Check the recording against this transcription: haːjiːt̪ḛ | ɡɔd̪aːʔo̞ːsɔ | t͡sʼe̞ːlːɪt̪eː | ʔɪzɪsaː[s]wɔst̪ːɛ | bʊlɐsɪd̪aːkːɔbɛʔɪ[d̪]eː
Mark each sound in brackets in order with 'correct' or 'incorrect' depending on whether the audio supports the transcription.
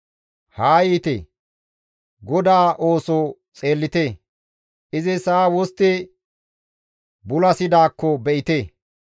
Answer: incorrect: none, incorrect: t̪

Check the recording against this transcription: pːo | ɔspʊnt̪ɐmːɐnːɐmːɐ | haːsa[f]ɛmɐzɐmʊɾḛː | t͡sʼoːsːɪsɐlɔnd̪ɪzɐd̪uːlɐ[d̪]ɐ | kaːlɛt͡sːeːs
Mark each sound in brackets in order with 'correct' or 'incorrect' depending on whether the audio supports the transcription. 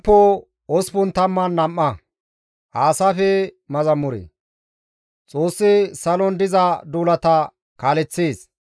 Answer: correct, incorrect: t̪

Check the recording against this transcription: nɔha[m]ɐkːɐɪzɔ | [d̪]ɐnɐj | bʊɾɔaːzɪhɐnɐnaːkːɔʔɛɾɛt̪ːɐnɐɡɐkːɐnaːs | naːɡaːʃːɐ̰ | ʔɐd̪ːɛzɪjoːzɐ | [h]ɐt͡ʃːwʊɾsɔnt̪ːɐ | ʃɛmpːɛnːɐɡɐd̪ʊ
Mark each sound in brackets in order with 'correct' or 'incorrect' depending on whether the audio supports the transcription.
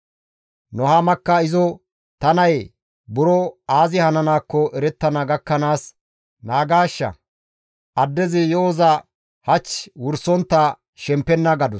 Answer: correct, incorrect: t̪, correct

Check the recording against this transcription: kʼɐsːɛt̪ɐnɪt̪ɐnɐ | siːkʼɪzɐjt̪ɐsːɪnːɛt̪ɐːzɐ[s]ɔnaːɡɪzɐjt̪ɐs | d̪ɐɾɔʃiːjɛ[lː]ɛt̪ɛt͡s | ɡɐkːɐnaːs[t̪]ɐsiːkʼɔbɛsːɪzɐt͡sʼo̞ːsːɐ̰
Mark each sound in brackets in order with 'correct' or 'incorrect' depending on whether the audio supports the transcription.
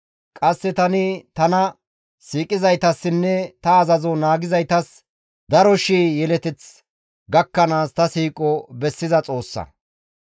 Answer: incorrect: z, incorrect: l, correct

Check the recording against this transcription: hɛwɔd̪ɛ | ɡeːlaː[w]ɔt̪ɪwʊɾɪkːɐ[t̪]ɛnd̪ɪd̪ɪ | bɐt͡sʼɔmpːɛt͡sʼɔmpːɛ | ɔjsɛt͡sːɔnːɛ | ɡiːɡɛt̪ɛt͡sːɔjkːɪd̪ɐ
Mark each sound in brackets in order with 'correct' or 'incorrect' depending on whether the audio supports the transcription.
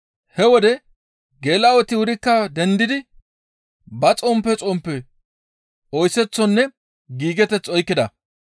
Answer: correct, incorrect: d̪

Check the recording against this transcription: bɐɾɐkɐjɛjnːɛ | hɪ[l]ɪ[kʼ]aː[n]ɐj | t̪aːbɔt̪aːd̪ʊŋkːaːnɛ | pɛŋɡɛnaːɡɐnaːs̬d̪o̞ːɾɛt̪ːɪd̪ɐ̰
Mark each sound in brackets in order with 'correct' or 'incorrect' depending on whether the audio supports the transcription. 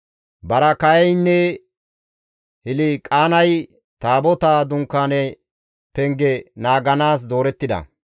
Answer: correct, correct, correct

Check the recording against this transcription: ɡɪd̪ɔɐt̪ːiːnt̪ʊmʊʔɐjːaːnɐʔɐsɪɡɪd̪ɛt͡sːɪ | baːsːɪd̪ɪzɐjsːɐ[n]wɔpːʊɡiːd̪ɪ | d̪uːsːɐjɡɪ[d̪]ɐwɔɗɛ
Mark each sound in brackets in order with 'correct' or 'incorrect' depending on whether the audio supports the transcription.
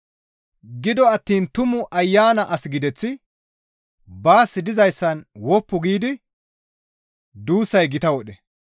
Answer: correct, incorrect: t̪

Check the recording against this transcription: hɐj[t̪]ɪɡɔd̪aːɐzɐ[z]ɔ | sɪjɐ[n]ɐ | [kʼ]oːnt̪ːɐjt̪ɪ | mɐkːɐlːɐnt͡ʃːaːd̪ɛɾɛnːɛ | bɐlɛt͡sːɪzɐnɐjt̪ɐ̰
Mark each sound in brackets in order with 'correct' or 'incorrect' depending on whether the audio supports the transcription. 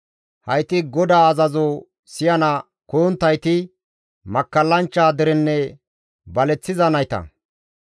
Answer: correct, correct, correct, incorrect: k

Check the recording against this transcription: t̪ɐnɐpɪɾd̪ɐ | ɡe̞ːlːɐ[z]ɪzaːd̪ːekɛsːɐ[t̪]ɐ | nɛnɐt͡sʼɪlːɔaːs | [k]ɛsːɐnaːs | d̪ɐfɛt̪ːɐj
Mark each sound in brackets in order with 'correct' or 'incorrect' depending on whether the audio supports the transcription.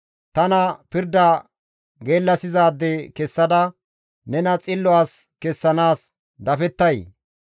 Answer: incorrect: s, incorrect: d̪, correct

